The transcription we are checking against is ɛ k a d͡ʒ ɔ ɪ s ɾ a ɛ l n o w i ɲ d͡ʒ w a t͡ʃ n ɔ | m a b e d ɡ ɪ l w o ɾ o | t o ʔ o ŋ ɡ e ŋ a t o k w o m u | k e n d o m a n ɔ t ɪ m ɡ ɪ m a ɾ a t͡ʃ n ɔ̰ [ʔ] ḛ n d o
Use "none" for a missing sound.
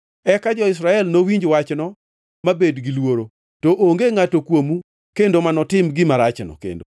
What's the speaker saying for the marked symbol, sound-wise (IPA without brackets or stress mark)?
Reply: k